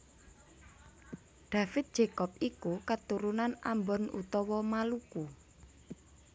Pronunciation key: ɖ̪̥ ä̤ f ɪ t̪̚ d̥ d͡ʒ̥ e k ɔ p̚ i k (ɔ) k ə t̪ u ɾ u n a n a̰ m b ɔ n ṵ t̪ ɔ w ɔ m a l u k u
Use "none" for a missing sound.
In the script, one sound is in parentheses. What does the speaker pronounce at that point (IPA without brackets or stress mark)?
u